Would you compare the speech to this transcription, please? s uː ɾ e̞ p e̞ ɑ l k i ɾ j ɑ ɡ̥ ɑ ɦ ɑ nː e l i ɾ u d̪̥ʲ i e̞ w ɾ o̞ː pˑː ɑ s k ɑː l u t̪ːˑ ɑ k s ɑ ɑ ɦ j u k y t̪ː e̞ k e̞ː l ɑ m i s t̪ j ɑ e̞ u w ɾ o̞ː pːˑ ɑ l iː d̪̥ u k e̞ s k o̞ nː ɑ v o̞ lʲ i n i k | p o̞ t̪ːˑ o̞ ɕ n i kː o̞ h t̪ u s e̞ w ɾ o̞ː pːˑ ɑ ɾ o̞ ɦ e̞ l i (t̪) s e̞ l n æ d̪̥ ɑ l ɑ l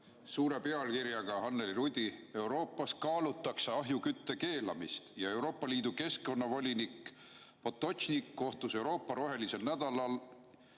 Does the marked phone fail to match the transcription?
yes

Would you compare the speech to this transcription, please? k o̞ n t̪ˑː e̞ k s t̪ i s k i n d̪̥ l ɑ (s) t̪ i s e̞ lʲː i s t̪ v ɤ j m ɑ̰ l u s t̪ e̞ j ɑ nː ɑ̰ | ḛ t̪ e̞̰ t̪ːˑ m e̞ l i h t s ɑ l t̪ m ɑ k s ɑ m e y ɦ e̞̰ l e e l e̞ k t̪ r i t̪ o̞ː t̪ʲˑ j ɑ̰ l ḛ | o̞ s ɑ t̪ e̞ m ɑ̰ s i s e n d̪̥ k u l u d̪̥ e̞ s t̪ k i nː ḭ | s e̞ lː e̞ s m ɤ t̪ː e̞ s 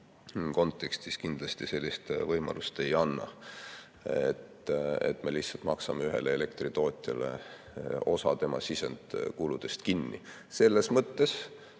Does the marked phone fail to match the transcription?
no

